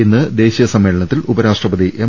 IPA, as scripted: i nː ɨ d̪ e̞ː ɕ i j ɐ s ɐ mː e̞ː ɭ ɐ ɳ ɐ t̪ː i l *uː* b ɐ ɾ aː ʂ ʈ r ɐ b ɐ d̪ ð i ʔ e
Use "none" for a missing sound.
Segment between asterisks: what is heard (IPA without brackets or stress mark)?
u